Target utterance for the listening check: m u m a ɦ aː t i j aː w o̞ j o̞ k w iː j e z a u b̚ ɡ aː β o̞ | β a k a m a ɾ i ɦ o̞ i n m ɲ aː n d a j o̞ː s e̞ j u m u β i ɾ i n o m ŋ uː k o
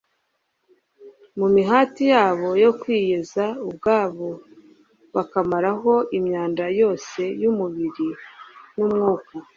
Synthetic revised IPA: m u m i ɦ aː t i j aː β o̞ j o̞ k w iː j e z a u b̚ ɡ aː β o̞ | β a k a m a ɾ a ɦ o̞ i m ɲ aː n d a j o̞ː s e̞ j u m u β i ɾ i n u m ŋ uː k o